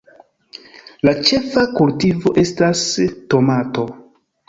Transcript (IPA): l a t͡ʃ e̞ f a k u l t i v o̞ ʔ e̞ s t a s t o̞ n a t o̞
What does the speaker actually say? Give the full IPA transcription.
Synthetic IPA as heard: l a t͡ʃ e̞ f a k u l t i v o̞ ʔ e̞ s t a s t o̞ m a t o̞